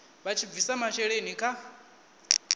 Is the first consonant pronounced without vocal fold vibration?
no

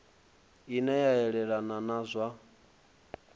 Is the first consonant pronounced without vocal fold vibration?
no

